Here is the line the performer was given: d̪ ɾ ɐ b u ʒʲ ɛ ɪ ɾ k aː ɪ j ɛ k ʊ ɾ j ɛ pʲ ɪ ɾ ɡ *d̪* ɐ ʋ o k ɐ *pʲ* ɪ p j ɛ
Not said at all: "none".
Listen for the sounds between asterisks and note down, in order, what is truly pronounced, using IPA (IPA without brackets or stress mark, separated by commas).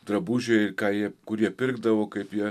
d̪, none